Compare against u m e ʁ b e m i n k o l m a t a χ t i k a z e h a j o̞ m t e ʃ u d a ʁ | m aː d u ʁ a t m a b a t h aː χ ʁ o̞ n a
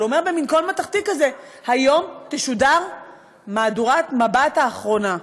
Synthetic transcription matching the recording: o m e ʁ b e m i n k o l m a t a χ t i k a z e h a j o̞ m t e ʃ u d a ʁ | m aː d u ʁ a t m a b a t h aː χ ʁ o̞ n a